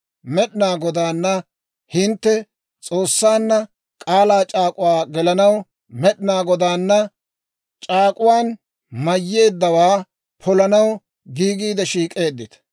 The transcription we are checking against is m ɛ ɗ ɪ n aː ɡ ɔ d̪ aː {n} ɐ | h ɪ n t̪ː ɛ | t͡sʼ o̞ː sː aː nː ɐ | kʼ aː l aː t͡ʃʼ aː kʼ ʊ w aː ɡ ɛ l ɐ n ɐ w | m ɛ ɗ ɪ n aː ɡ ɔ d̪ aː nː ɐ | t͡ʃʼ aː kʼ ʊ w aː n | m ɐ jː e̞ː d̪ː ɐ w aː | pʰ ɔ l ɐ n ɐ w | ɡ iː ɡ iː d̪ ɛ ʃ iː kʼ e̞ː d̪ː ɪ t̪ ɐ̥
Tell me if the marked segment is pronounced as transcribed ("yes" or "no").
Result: no